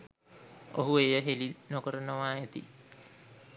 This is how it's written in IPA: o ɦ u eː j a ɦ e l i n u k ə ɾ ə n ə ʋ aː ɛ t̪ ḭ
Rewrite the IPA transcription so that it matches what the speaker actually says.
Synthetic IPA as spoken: o ɦ u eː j ə ɦ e l i n o k ə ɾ ə n ə ʋ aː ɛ t̪ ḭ